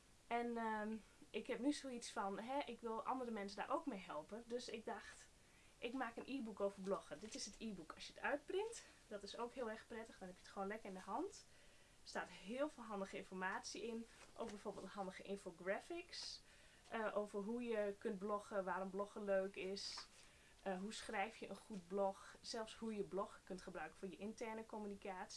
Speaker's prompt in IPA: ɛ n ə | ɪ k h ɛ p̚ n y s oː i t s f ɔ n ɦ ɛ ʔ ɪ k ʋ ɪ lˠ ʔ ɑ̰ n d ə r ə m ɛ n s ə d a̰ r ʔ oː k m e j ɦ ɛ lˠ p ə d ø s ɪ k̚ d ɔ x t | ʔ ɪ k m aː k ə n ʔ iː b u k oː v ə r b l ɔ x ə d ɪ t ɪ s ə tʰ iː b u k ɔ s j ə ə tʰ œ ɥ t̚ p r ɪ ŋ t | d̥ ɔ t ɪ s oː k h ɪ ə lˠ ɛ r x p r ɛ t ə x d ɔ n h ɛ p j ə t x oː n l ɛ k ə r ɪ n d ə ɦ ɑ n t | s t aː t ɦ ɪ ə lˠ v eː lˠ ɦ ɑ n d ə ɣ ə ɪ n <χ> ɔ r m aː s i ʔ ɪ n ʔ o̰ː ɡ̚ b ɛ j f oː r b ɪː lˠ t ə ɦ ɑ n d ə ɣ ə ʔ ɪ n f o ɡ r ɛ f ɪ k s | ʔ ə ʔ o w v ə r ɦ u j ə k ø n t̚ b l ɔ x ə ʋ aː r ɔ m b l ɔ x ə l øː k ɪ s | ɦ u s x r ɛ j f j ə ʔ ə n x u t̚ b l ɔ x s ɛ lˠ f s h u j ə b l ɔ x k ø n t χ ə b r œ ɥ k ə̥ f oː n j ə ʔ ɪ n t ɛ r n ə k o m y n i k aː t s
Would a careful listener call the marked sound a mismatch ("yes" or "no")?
yes